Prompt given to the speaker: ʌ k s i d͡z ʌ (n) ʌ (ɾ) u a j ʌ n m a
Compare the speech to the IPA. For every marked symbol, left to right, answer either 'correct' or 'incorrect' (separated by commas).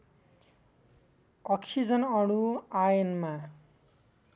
correct, incorrect